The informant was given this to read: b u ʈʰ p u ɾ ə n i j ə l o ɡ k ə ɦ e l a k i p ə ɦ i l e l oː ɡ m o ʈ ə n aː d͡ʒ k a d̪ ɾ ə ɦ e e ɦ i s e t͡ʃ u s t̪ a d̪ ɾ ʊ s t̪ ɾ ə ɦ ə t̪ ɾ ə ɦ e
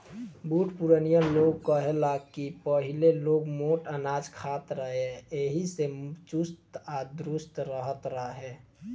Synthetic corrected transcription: b u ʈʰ p u ɾ ə n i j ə l o ɡ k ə ɦ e l a k i p ə ɦ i l e l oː ɡ m o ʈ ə n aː d͡ʒ kʰ a t̪ ɾ ə ɦ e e ɦ i s e t͡ʃ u s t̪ a d̪ ɾ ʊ s t̪ ɾ ə ɦ ə t̪ ɾ ə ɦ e

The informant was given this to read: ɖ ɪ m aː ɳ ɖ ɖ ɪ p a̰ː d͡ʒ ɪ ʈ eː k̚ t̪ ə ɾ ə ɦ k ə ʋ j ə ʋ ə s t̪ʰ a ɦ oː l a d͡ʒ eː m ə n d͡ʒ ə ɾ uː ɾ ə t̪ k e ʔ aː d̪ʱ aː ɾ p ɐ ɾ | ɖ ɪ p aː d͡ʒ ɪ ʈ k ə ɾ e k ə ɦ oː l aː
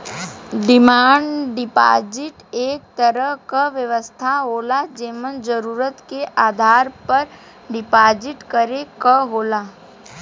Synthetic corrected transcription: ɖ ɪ m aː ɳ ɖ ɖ ɪ p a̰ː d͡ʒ ɪ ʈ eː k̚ t̪ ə ɾ ə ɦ k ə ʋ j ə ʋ ə s t̪ʰ a ɦ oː l a d͡ʒ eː m ə n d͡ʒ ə ɾ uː ɾ ə t̪ k e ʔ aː d̪ʱ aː ɾ p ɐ ɾ | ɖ ɪ p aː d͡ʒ ɪ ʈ k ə ɾ e k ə ɦ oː l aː

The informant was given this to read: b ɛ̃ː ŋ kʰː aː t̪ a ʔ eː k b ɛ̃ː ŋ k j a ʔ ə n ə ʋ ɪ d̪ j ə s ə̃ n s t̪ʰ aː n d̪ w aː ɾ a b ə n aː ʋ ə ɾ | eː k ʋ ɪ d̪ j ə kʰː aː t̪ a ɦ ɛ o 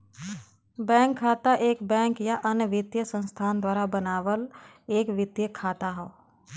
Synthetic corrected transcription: b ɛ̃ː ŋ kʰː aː t̪ a ʔ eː k b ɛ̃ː ŋ k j a ʔ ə n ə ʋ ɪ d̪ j ə s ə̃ n s t̪ʰ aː n d̪ w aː ɾ a b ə n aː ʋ ə l | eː k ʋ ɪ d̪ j ə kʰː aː t̪ a ɦ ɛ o

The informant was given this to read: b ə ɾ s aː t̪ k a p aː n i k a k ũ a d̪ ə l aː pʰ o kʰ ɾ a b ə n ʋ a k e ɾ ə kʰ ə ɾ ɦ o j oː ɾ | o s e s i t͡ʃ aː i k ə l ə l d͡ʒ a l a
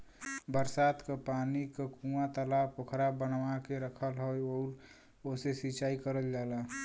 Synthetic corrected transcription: b ə ɾ s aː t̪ k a p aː n i k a k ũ a t̪ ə l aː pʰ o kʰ ɾ a b ə n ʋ a k e ɾ ə kʰ ə l ɦ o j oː ɾ | o s e s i t͡ʃ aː i k ə ɾ ə l d͡ʒ a l a

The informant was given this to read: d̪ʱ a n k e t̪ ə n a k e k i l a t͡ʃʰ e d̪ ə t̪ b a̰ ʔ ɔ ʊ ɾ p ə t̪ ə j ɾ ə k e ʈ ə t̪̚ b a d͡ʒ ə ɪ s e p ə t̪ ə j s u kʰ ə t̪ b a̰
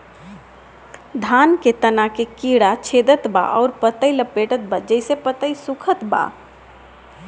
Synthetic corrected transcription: d̪ʱ a n k e t̪ ə n a k e k i ɽ a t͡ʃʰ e d̪ ə t̪ b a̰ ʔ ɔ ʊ ɾ p ə t̪ ə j l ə p e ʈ ə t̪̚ b a d͡ʒ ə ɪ s e p ə t̪ ə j s u kʰ ə t̪ b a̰

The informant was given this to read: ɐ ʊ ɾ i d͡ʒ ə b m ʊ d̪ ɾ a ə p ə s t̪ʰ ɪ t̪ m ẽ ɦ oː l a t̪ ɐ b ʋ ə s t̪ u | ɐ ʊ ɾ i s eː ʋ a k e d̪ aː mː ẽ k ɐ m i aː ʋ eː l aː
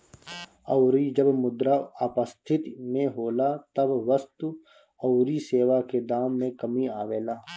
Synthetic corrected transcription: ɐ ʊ ɾ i d͡ʒ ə b m ʊ d̪ ɾ a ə p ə s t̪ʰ ɪ t̪ m ẽ ɦ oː l a t̪ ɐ b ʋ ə s t̪ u | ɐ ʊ ɾ i s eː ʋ a k e d̪ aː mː ẽ k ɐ m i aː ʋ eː l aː

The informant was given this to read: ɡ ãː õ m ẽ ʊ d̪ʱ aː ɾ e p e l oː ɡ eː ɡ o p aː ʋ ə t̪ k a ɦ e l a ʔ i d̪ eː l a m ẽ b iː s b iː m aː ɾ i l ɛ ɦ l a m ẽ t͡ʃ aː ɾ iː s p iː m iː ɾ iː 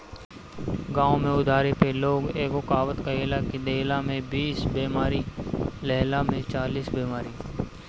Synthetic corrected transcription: ɡ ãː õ m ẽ ʊ d̪ʱ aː ɾ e p e l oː ɡ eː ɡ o k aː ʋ ə t̪ k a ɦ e l a k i d̪ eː l a m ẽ b iː s b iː m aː ɾ i l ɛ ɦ l a m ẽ t͡ʃ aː l iː s b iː m aː ɾ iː

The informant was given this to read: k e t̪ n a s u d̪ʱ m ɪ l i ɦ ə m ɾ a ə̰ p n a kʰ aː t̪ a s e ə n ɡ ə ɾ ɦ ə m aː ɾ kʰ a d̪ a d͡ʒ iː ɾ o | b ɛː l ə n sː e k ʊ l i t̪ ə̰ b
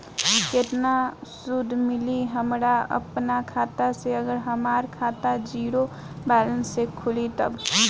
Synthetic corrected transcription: k e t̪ n a s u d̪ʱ m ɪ l i ɦ ə m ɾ a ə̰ p n a kʰ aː t̪ a s e ə ɡ ə ɾ ɦ ə m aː ɾ kʰ a t̪ a d͡ʒ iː ɾ o | b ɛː l ə n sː e kʰ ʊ l i t̪ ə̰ b

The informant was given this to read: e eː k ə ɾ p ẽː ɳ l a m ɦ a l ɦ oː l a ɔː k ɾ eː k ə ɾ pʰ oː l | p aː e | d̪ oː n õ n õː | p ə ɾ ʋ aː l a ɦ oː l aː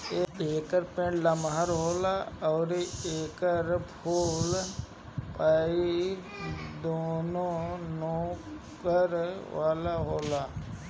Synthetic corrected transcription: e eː k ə ɾ p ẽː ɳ l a m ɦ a ɾ ɦ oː l a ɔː ɾ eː k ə ɾ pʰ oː l | p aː i | d̪ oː n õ n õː | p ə ɾ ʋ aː l a ɦ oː l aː

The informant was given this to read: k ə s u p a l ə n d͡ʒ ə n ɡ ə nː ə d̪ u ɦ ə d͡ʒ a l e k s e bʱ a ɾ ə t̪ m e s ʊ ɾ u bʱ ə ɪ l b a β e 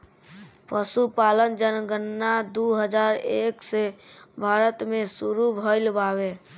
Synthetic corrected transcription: p ə s u p a l ə n d͡ʒ ə n ɡ ə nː a d̪ u ɦ ə d͡ʒ a ɾ e k s e bʱ a ɾ ə t̪ m e s u ɾ u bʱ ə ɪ l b a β e

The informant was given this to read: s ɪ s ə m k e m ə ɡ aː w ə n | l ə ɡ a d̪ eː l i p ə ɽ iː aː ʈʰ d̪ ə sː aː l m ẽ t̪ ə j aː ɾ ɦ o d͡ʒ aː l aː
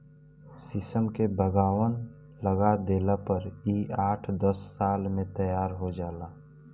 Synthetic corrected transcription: s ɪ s ə m k e b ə ɡ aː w ə n | l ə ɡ a d̪ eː l a p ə ɾ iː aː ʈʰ d̪ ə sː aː l m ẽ t̪ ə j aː ɾ ɦ o d͡ʒ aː l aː

